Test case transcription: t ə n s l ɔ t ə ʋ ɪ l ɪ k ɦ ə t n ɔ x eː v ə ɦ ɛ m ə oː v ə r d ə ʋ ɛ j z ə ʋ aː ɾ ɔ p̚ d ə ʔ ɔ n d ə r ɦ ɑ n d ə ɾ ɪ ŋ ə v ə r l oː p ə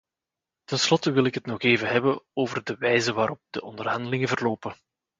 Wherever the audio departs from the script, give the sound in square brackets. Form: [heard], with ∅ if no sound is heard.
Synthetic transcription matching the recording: t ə n s l ɔ t ə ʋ ɪ l ɪ k ɦ ə t n ɔ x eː v ə ɦ ɛ [b] ə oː v ə r d ə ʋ ɛ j z ə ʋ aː ɾ ɔ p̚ d ə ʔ ɔ n d ə r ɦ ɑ n d ə [l] ɪ ŋ ə v ə r l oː p ə